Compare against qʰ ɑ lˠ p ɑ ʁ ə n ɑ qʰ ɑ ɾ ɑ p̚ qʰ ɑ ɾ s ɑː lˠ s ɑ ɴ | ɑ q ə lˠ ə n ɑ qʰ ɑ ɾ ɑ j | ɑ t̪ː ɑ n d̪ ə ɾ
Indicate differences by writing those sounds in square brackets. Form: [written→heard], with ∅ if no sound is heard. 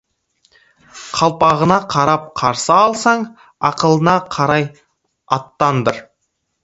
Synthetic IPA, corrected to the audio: qʰ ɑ lˠ p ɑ ʁ ə n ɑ qʰ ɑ ɾ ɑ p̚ qʰ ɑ ɾ s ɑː lˠ s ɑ ɴ | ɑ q ə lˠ ə n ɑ qʰ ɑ ɾ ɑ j | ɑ t̪ː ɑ n d̪ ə ɾ